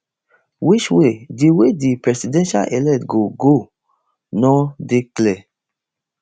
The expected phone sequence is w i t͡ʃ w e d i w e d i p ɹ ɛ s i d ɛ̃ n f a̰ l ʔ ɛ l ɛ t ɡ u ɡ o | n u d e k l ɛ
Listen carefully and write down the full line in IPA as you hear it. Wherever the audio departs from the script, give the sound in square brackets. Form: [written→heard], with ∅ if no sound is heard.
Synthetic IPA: w i t͡ʃ w e d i w e d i p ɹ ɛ s i d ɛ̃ n [f→ʃ] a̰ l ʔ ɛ l ɛ t ɡ [u→o] ɡ o | n [u→ɔ] d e k l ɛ